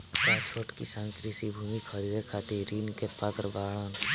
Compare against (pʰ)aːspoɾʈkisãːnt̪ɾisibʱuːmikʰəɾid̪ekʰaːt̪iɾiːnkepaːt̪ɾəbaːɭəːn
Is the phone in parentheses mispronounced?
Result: yes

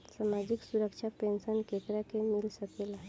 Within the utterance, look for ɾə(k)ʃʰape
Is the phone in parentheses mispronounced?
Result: no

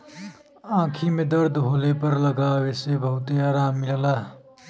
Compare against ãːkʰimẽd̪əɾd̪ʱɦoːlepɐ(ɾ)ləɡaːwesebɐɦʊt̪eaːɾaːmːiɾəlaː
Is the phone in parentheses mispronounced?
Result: no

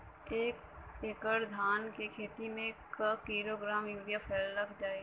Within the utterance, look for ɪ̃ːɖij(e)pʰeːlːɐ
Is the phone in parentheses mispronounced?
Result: yes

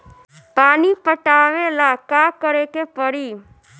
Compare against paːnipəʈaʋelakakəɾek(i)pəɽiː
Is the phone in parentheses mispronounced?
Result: yes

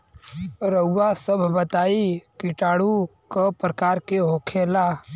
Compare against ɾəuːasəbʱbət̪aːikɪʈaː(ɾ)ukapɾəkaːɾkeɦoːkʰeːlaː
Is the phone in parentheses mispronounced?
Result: yes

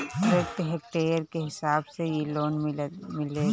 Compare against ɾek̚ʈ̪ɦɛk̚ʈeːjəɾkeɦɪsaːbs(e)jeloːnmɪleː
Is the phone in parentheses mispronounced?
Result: no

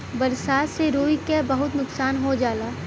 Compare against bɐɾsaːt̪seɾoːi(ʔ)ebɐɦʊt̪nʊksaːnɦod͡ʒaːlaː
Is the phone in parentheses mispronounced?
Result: yes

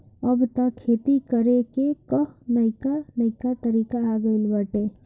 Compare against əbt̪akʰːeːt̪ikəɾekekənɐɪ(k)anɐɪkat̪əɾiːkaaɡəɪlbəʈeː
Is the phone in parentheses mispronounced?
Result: no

